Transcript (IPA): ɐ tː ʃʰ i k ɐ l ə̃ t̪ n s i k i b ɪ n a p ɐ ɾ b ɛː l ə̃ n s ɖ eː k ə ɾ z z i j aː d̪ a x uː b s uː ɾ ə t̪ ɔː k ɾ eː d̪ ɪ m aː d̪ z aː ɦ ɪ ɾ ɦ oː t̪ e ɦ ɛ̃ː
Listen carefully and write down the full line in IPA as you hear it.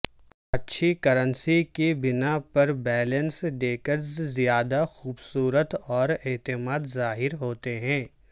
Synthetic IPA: ɐ tː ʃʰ i k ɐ ɾ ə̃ n s i k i b ɪ n a p ɐ ɾ b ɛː l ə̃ n s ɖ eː k ə ɾ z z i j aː d̪ a x uː b s uː ɾ ə t̪ ɔː ɾ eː t̪ ɪ m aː d̪ z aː ɦ ɪ ɾ ɦ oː t̪ e ɦ ɛ̃ː